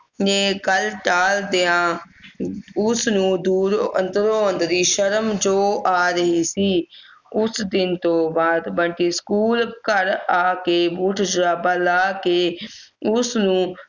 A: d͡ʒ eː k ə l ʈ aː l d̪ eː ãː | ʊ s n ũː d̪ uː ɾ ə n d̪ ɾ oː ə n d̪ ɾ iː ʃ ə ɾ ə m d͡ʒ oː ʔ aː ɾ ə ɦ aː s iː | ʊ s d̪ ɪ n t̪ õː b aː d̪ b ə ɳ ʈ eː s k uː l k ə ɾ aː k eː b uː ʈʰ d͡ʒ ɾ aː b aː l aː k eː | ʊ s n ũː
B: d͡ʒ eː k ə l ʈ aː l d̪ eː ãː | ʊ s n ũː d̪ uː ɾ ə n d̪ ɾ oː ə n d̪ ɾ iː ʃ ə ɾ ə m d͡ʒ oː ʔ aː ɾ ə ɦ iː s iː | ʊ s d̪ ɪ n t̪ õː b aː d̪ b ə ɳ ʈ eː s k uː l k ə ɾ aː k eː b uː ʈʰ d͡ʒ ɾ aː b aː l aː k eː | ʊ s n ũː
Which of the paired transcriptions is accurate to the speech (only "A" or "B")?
B